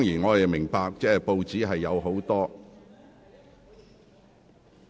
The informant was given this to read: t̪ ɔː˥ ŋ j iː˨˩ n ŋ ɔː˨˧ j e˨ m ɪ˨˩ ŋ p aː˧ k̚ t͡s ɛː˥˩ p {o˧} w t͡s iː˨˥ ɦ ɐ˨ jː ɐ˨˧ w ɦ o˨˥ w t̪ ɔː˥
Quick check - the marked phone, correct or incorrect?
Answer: correct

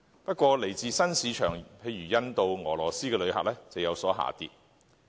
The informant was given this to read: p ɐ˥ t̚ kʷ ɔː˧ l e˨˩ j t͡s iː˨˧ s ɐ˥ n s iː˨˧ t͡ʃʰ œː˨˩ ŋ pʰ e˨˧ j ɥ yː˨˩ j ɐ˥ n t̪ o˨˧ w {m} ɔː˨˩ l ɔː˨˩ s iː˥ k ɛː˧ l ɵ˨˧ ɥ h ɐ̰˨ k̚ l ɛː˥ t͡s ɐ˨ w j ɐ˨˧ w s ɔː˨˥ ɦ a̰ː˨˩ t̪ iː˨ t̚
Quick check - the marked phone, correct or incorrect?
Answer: incorrect: ŋ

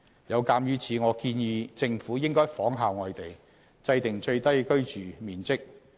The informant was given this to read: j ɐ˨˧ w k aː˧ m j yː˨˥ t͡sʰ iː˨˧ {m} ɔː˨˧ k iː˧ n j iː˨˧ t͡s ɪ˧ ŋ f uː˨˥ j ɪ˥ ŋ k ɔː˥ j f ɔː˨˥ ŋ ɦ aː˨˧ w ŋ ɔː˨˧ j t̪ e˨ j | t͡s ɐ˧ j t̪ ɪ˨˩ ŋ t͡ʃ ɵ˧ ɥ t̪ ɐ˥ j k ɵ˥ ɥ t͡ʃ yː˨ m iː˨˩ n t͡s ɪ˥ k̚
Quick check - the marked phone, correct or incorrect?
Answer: incorrect: ŋ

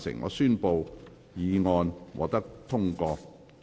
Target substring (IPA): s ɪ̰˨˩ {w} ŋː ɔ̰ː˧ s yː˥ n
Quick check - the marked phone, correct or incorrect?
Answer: incorrect: none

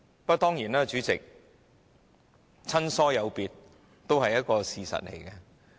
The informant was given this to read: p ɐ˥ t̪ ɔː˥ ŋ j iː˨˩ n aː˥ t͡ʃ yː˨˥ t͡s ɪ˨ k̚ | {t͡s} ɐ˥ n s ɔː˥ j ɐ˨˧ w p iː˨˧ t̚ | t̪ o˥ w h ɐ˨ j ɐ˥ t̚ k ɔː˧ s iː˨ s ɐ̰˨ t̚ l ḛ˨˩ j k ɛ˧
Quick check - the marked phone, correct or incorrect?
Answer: incorrect: t͡sʰ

